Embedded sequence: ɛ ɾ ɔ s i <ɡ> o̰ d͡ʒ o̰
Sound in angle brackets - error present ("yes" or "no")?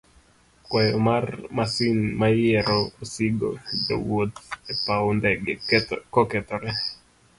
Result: no